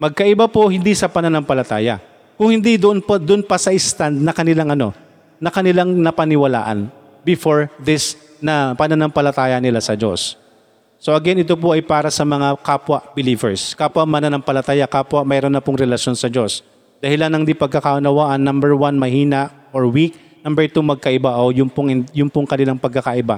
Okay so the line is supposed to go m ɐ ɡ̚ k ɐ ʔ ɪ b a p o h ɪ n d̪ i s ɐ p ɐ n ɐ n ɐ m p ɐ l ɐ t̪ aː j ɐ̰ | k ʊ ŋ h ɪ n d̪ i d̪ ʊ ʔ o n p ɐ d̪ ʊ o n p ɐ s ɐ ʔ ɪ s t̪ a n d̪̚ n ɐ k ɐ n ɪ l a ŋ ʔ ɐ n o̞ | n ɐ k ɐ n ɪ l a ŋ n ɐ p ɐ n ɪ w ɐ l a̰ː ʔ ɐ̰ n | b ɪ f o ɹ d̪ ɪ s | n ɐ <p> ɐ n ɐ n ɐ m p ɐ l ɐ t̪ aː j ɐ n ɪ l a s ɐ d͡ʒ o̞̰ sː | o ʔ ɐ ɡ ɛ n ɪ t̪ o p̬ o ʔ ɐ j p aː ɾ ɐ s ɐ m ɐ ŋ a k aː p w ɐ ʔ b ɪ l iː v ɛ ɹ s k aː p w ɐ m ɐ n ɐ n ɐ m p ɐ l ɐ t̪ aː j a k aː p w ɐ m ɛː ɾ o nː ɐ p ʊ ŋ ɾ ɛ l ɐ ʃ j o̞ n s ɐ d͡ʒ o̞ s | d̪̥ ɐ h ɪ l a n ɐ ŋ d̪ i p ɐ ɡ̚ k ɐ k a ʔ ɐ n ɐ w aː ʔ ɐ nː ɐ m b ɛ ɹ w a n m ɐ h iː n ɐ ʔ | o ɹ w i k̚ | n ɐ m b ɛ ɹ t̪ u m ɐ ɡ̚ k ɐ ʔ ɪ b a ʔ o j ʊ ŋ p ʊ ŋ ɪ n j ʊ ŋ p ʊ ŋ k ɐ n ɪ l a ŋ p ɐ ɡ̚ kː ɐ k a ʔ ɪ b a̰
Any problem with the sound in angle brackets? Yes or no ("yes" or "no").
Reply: no